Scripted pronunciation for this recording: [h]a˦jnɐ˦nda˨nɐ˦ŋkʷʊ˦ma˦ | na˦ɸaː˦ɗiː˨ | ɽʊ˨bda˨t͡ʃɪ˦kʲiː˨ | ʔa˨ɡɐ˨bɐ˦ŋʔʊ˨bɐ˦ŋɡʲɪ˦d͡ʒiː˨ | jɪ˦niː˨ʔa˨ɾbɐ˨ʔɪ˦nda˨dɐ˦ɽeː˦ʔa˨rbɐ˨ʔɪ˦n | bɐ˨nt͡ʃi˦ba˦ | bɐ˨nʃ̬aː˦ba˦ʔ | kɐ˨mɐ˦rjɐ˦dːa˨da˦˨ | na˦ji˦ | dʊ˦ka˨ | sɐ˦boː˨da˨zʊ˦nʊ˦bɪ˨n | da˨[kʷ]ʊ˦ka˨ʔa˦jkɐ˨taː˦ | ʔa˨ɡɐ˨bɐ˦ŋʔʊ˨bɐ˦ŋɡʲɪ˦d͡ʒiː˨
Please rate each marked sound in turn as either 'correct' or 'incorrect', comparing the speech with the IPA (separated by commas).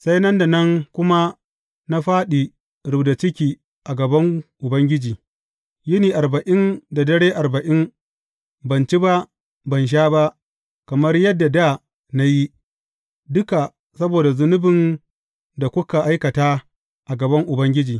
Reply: incorrect, correct